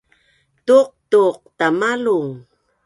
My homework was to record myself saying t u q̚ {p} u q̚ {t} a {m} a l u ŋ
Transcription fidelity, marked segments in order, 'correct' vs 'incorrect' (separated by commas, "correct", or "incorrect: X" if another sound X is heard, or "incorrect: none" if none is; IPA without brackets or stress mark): incorrect: t, correct, correct